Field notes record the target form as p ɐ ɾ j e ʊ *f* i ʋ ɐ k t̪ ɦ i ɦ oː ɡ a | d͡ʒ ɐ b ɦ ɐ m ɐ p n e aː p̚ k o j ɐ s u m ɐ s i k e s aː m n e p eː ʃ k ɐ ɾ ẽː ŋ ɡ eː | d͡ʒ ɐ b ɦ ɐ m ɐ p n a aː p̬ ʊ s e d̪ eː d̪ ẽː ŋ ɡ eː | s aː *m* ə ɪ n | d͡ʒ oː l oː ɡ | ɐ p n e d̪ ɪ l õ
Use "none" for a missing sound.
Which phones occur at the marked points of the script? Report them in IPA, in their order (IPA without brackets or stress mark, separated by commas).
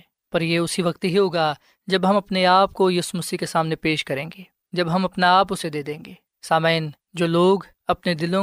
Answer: s, m